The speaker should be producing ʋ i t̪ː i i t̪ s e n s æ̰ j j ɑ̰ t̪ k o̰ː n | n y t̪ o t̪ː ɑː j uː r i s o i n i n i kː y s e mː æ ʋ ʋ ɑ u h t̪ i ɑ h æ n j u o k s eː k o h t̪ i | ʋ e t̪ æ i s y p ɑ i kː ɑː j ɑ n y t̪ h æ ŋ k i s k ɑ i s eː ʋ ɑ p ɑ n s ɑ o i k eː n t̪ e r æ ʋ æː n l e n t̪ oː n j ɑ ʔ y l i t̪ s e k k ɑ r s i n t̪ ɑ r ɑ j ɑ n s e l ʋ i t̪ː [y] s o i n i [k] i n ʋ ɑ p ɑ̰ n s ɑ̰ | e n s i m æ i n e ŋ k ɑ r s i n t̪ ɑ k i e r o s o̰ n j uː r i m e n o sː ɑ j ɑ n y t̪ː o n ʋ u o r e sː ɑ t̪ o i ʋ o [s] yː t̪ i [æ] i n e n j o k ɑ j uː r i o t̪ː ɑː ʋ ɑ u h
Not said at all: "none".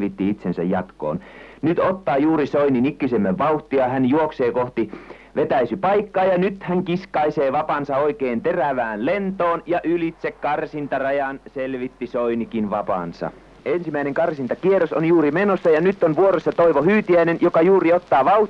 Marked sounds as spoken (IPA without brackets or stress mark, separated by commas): i, k, h, æ